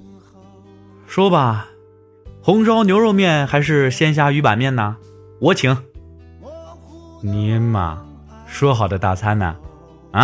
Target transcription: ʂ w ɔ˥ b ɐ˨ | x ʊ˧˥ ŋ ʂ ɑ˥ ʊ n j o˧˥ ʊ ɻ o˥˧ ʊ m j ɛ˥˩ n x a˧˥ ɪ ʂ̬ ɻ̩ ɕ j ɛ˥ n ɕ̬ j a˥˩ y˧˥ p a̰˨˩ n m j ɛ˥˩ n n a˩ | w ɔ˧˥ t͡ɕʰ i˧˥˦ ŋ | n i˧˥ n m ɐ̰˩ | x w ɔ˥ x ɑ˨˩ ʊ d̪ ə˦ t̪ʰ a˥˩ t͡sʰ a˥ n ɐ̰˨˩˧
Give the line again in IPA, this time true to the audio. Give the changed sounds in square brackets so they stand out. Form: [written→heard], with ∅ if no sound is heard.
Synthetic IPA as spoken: ʂ w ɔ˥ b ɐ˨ | x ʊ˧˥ ŋ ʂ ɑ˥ ʊ n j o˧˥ ʊ ɻ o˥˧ ʊ m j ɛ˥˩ n x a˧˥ ɪ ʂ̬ ɻ̩ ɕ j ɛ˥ n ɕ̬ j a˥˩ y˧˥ p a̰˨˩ n m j ɛ˥˩ n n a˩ | w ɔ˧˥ t͡ɕʰ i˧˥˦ ŋ | n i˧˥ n m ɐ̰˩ | [x→ʂ] w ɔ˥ x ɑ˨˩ ʊ d̪ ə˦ [t̪ʰ→t̪] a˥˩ t͡sʰ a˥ n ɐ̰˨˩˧